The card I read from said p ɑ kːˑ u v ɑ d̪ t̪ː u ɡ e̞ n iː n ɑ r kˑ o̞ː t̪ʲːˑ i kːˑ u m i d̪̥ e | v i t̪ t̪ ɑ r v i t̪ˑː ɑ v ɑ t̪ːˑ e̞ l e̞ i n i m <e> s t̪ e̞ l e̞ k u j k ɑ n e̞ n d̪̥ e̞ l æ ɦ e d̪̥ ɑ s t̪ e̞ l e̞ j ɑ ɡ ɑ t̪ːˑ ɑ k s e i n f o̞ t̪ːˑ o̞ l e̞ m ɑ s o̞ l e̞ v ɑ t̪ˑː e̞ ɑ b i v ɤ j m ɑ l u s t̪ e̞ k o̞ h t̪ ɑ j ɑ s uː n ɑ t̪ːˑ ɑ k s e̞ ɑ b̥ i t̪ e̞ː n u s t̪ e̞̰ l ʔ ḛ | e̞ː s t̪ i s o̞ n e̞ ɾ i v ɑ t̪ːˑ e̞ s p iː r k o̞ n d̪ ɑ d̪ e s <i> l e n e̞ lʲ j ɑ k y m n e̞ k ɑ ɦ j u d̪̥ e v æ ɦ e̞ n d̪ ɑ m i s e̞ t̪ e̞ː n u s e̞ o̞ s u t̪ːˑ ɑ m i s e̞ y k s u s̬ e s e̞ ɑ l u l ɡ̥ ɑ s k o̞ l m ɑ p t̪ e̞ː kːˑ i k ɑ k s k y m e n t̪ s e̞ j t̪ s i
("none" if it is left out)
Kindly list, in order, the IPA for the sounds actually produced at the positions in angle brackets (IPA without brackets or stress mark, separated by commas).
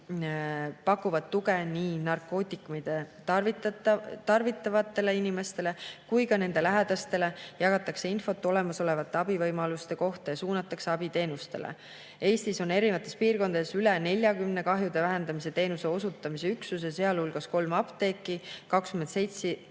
e, y